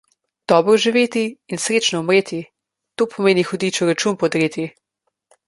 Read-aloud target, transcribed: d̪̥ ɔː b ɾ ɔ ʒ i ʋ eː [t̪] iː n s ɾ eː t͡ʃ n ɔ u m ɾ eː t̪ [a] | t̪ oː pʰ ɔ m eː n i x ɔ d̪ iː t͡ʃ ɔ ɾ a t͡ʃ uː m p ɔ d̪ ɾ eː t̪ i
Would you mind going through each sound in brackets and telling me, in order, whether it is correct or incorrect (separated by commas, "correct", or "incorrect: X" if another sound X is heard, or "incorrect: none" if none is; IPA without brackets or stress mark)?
correct, incorrect: i